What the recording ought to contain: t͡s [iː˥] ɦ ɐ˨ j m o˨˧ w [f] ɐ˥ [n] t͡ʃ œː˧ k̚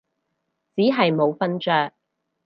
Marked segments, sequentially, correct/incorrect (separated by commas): incorrect, correct, correct